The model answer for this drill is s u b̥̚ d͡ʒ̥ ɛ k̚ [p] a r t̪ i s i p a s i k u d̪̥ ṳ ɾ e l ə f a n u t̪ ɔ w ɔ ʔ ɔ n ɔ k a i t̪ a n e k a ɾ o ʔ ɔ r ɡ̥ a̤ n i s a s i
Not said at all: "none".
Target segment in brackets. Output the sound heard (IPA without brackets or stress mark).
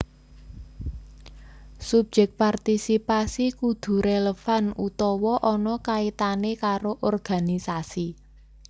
p